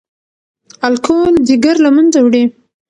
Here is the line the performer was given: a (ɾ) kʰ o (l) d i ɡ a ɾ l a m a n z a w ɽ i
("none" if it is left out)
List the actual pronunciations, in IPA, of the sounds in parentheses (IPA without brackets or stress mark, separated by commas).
l, l